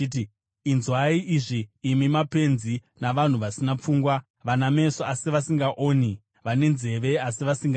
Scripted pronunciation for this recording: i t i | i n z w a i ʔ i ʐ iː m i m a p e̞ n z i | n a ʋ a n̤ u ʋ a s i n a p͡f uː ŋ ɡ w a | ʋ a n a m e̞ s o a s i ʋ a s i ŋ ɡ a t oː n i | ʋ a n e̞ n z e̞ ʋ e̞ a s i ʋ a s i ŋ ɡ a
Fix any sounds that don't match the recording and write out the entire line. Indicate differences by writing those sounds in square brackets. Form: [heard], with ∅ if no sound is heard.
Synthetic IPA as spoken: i t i | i n z w a i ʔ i ʐ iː m i m a p e̞ n z i | n a ʋ a n̤ u ʋ a s i n a p͡f uː ŋ ɡ w a | ʋ a n a m e̞ s o a s i ʋ a s i ŋ ɡ a [ʔ] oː n i | ʋ a n e̞ n z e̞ ʋ e̞ a s i ʋ a s i ŋ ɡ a